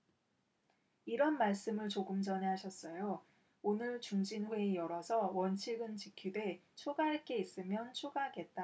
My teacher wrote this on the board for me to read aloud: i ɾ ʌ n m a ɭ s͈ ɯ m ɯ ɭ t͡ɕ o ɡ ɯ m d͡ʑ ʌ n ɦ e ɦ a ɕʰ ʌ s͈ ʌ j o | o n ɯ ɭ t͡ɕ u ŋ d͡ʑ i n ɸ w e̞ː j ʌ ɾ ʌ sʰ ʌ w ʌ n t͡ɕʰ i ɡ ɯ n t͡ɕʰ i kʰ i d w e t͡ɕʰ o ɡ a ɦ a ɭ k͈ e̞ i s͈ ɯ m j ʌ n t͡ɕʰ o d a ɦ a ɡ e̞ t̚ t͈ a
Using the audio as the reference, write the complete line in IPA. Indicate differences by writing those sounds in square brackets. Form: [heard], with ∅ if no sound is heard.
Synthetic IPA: i ɾ ʌ n m a ɭ s͈ ɯ m ɯ ɭ t͡ɕ o ɡ ɯ m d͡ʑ ʌ n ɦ e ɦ a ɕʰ ʌ s͈ ʌ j o | o n ɯ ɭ t͡ɕ u ŋ d͡ʑ i n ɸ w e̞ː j ʌ ɾ ʌ sʰ ʌ w ʌ n t͡ɕʰ i ɡ ɯ n [t͡ɕ] i kʰ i d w e t͡ɕʰ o ɡ a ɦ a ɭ k͈ e̞ i s͈ ɯ m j ʌ n t͡ɕʰ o [ɡ] a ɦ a ɡ e̞ t̚ t͈ a